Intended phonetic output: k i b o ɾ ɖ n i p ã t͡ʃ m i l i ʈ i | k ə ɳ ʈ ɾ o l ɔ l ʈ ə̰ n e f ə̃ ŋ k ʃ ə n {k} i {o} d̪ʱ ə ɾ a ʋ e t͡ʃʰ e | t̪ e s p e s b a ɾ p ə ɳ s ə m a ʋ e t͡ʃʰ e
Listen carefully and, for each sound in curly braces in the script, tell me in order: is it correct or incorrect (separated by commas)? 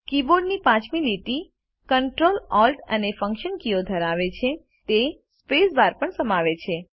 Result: correct, correct